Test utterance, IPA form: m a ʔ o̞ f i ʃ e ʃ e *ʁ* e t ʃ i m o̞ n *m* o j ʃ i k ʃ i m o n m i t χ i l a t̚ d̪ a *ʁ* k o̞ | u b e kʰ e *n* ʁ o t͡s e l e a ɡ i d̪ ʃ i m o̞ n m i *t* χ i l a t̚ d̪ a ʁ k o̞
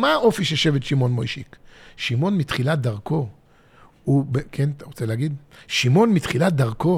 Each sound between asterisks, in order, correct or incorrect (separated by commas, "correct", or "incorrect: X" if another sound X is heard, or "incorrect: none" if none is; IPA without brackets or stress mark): incorrect: v, correct, correct, correct, correct